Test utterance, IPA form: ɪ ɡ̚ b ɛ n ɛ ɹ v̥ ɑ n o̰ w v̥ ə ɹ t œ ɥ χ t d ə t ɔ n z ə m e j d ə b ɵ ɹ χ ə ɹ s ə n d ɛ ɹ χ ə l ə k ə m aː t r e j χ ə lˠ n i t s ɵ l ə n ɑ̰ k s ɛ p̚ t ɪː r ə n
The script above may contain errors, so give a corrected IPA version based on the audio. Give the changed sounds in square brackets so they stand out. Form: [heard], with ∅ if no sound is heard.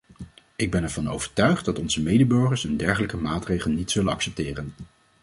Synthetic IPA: ɪ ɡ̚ b ɛ n ɛ ɹ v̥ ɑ n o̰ w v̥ ə ɹ t œ ɥ χ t d [ɑ] t ɔ n z ə m e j d ə b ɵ ɹ χ ə ɹ s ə n d ɛ ɹ χ ə l ə k ə m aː t r e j χ ə lˠ n i t s ɵ l ə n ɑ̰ k s ɛ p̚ t ɪː r ə n